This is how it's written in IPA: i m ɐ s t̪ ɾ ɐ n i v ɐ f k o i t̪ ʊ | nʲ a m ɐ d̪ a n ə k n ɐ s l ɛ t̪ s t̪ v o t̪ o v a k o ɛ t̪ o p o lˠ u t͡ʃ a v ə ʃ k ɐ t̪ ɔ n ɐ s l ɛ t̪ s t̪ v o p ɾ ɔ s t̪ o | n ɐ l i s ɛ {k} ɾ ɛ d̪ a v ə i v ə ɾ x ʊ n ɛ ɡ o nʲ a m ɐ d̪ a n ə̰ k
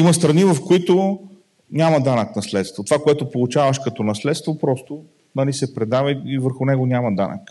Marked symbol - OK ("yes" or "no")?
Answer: no